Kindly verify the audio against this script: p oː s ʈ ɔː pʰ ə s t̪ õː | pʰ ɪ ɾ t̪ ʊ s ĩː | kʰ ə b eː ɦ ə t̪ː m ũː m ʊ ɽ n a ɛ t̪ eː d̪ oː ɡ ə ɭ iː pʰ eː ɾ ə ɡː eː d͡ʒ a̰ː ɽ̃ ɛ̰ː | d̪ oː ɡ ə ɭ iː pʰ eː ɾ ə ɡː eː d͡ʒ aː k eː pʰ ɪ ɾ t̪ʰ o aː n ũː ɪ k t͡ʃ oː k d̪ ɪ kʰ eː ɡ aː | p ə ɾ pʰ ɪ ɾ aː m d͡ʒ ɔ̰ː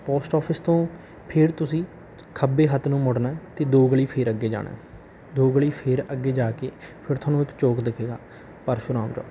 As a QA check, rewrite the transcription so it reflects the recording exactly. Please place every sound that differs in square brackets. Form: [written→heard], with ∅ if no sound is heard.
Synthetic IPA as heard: p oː s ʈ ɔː pʰ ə s t̪ õː | pʰ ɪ ɾ t̪ ʊ s ĩː | kʰ ə b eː ɦ ə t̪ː [m→n] ũː m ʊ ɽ n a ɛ t̪ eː d̪ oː ɡ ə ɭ iː pʰ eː ɾ ə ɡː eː d͡ʒ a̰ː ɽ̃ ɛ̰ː | d̪ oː ɡ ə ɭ iː pʰ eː ɾ ə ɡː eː d͡ʒ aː k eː pʰ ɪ ɾ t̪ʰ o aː n ũː ɪ k t͡ʃ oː k d̪ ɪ kʰ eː ɡ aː | p ə ɾ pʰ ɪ ɾ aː m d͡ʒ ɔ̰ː